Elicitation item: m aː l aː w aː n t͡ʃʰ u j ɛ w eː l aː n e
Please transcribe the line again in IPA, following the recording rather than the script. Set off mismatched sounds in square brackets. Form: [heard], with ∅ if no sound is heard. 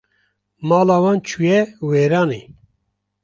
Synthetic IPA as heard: m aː l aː w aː n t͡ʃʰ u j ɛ w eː [ɾ] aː n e